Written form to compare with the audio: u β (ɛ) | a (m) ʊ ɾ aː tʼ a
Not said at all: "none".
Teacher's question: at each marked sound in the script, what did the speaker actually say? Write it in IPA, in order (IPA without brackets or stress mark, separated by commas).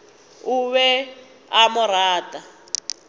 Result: ɛ, m